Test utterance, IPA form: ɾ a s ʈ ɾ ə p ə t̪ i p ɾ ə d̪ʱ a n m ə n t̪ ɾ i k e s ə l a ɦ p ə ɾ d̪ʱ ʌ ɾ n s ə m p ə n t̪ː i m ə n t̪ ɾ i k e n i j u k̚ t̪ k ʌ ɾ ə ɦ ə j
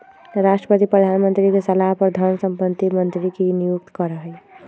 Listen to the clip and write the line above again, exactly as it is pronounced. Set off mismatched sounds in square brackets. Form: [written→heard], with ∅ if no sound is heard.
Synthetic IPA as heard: ɾ a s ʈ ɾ ə p ə t̪ i p ɾ ə d̪ʱ a n m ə n t̪ ɾ i k e s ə l a ɦ p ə ɾ d̪ʱ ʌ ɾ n s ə m p ə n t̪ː i m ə n t̪ ɾ i k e n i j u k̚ t̪ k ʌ ɾ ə ɦ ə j